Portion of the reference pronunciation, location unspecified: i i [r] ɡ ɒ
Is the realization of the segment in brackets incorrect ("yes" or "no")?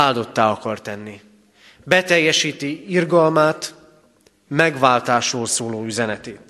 no